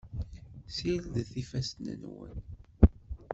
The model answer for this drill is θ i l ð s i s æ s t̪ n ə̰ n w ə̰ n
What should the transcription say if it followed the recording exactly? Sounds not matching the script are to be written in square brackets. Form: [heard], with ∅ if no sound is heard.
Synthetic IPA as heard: [s] i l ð [θ] i [f] æ s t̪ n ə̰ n w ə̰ n